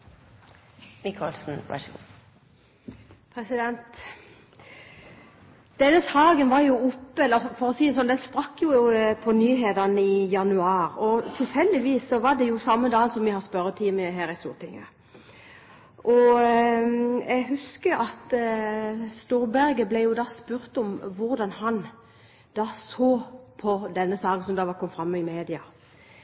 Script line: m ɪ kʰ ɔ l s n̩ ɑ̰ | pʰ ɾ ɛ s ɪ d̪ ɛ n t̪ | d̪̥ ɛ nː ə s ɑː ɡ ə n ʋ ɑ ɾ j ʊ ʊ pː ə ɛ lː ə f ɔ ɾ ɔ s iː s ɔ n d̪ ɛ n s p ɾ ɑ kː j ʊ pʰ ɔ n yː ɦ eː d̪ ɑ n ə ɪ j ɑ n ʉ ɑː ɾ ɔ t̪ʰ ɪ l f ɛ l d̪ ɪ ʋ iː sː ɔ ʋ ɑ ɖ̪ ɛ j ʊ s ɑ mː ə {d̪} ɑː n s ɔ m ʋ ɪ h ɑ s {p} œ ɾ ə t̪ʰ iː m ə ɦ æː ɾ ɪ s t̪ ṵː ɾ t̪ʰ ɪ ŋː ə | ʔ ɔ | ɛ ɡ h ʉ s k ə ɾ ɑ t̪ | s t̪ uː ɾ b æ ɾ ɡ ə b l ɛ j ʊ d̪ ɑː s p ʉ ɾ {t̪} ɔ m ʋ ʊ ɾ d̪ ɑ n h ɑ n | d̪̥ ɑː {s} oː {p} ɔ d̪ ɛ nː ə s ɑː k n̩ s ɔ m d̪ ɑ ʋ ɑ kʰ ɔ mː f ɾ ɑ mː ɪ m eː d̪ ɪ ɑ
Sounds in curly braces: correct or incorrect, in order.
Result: correct, correct, correct, correct, incorrect

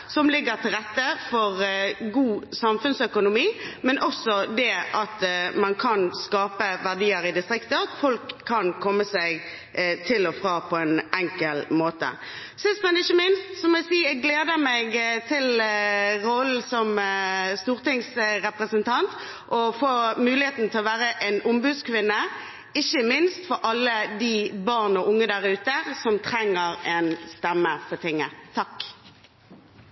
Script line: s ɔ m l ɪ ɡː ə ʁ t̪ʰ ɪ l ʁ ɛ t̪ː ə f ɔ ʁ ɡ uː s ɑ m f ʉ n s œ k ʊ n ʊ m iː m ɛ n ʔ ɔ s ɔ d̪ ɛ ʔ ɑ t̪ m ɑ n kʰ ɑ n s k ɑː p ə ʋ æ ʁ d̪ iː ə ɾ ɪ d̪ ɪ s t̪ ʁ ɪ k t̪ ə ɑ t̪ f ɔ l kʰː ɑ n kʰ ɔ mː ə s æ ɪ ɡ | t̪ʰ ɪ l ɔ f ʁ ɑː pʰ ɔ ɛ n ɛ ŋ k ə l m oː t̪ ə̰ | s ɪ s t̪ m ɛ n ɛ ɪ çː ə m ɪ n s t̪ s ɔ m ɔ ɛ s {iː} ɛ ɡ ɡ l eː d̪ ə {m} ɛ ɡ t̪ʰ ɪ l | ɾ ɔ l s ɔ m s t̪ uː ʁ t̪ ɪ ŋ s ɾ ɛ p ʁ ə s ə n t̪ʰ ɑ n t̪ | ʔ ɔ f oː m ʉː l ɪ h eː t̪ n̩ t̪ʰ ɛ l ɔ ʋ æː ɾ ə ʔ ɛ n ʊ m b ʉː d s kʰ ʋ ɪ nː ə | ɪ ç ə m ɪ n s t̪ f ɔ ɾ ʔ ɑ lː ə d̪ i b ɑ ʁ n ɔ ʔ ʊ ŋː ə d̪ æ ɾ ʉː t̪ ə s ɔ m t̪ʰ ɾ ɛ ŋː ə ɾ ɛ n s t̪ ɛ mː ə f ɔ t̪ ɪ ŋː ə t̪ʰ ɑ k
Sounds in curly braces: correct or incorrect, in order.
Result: correct, correct

